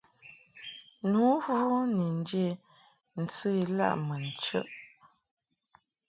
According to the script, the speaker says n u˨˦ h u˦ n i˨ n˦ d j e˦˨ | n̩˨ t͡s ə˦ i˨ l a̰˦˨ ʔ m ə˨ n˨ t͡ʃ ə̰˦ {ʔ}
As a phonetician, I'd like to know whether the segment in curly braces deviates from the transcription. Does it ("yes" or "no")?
no